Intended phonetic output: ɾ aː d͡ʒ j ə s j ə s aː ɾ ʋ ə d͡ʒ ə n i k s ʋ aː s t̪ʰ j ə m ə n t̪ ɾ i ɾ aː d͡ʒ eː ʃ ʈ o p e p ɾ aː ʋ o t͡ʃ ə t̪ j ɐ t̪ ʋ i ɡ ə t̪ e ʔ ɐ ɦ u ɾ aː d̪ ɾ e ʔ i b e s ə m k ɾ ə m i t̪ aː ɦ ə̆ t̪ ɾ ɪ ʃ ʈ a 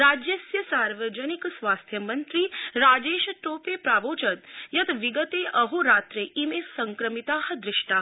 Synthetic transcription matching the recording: ɾ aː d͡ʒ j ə s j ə s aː ɾ ʋ ə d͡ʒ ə n i k s ʋ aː s t̪ʰ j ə m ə n t̪ ɾ i ɾ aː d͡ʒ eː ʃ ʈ o p e p ɾ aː ʋ o t͡ʃ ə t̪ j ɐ t̪ ʋ i ɡ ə t̪ e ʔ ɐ ɦ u ɾ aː t̪ ɾ e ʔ i m e s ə ŋ k ɾ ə m i t̪ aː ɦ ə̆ d̪ ɾ ɪ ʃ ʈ a

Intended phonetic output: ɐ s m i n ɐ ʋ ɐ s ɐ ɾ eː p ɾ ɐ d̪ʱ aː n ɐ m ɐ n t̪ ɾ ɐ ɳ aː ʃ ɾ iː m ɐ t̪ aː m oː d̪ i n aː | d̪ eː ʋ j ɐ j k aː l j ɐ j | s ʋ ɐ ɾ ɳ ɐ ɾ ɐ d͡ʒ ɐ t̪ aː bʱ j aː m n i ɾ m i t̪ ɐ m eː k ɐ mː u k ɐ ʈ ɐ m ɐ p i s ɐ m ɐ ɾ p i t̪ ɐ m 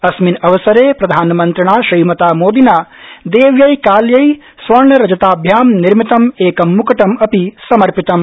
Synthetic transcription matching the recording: ɐ s m i n ɐ ʋ ɐ s ɐ ɾ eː p ɾ ɐ d̪ʱ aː n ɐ m ɐ n t̪ ɾ ɐ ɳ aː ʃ ɾ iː m ɐ t̪ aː m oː d̪ i n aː | d̪ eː ʋ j ɐ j k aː l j ɐ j | s ʋ ɐ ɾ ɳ ɐ ɾ ɐ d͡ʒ ɐ t̪ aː bʱ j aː m n i ɾ m i t̪ ɐ m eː k ɐ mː u k ɐ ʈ ɐ m ɐ p i s ɐ m ɐ ɾ p i t̪ ɐ m

